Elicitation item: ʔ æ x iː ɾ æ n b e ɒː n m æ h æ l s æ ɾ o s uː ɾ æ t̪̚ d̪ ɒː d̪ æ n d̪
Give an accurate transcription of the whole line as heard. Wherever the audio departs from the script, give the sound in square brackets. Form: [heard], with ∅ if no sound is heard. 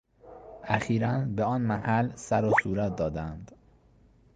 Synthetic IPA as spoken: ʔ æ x iː ɾ æ n b e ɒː n m æ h æ l s æ ɾ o s uː ɾ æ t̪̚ d̪ ɒː d̪ æ n d̪

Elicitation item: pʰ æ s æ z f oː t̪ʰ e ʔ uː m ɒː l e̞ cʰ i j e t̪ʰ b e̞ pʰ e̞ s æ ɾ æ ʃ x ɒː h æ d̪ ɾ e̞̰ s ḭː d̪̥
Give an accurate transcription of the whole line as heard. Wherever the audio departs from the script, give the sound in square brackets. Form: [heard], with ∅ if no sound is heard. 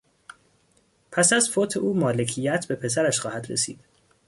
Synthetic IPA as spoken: pʰ æ s æ z f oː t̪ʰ e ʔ uː m ɒː l e̞ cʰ i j [æ] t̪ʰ b e̞ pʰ e̞ s æ ɾ æ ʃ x ɒː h æ d̪ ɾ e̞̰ s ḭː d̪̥

